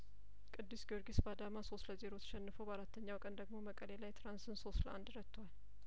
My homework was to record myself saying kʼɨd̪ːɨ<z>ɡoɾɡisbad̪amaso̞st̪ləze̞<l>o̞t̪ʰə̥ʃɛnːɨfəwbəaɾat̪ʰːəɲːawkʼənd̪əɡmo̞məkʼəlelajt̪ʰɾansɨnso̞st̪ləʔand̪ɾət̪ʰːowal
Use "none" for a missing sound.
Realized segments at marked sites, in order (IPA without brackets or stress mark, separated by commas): s, ɾ